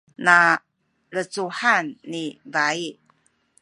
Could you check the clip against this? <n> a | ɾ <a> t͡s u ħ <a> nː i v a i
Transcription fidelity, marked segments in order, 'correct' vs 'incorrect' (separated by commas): correct, incorrect, correct